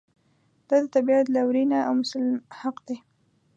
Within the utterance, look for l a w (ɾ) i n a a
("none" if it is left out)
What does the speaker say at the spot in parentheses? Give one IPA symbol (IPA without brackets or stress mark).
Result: ɾ